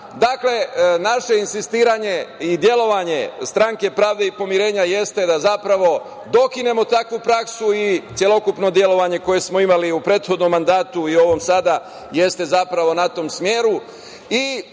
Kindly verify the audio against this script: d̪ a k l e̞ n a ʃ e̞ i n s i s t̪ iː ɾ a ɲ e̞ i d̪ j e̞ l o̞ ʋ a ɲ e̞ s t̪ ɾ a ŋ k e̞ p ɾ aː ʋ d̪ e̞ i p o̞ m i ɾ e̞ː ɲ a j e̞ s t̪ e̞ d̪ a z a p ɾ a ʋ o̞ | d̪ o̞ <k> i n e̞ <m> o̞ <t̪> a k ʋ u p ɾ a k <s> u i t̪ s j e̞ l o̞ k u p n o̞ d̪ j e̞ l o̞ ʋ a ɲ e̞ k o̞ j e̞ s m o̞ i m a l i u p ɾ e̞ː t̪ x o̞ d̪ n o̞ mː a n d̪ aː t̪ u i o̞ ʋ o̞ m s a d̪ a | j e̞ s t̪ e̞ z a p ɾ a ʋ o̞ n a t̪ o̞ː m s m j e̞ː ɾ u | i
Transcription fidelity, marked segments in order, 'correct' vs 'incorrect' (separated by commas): correct, correct, correct, correct